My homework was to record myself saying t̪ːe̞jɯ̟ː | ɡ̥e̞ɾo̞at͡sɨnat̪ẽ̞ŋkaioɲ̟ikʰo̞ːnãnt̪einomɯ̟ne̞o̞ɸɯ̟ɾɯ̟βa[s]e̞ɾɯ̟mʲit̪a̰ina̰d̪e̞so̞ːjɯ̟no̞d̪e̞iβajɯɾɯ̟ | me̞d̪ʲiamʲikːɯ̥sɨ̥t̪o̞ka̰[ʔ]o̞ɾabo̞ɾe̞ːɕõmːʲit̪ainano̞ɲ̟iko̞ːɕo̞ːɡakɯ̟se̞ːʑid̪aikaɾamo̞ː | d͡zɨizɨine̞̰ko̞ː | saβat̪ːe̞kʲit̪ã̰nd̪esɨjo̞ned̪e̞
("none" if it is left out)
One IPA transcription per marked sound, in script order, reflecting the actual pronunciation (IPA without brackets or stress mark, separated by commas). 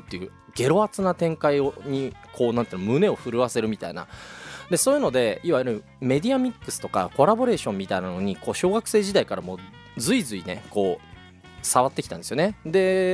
s, k